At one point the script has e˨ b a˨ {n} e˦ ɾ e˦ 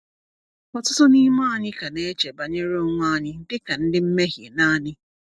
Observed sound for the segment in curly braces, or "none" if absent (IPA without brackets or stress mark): ɲ